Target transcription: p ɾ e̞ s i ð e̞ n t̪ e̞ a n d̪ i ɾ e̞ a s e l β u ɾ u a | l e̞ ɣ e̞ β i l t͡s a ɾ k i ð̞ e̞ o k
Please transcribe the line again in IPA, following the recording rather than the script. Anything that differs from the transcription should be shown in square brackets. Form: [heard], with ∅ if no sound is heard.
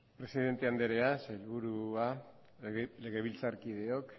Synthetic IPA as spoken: p ɾ e̞ s i ð e̞ n t̪ e̞ a n d̪ [e] ɾ e̞ a s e l β u ɾ u a | l e̞ ɣ e̞ β i l t͡s a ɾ k i ð̞ e̞ o k